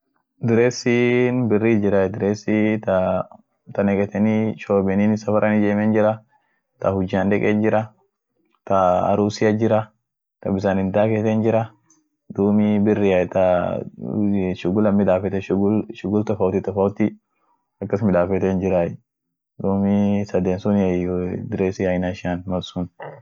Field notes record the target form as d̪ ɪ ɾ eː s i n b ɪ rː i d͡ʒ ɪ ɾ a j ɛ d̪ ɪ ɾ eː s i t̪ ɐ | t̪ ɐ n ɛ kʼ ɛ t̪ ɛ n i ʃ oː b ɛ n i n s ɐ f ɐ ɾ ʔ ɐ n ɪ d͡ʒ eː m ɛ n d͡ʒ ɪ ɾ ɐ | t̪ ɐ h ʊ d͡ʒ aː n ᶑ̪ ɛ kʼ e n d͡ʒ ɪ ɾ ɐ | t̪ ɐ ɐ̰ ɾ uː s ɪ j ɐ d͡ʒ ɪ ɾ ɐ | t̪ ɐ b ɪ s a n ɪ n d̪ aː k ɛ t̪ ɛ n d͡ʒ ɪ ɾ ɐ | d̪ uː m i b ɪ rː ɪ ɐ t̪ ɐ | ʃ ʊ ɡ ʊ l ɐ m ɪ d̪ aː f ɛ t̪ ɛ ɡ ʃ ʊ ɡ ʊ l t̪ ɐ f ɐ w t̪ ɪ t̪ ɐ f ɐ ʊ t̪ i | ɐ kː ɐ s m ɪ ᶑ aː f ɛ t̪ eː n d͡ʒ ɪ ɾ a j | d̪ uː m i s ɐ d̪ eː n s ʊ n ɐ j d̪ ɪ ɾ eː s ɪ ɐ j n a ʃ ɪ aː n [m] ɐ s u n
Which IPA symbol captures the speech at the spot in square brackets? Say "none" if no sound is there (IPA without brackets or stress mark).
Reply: m